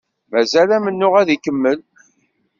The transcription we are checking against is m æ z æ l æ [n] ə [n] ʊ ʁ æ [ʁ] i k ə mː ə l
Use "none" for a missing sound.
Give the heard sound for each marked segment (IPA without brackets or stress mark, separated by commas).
m, nː, ð